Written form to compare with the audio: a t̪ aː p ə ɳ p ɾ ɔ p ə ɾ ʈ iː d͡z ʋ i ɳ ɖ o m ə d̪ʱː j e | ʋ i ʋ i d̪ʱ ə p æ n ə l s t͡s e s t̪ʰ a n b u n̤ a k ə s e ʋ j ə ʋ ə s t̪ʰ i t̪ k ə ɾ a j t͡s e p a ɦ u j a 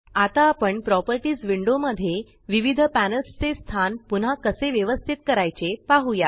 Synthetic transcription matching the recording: a t̪ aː p ə ɳ p ɾ ɔ p ə ɾ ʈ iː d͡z ʋ i ɳ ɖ o m ə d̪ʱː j e | ʋ i ʋ i d̪ʱ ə p æ n ə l s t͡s e s t̪ʰ a n p u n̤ a k ə s e ʋ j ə ʋ ə s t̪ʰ i t̪ k ə ɾ a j t͡s e p a ɦ u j a